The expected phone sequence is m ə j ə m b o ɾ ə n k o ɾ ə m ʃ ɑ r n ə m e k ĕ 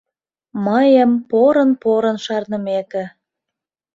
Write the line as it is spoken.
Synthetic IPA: m ə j ə m p o ɾ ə n p o ɾ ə n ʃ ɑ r n ə m e k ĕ